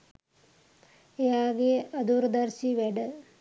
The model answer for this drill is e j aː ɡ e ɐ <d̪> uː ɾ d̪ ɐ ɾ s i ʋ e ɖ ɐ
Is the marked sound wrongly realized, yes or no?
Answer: no